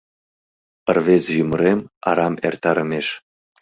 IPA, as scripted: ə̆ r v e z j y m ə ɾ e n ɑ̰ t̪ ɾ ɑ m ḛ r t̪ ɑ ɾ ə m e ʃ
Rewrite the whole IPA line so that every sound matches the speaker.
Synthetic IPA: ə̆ r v e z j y m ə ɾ e m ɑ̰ ɾ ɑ m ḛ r t̪ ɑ ɾ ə m e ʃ